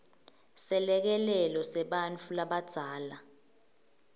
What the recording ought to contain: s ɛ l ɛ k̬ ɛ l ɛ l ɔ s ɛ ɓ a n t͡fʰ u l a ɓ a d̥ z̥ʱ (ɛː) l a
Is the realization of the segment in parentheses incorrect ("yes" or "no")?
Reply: yes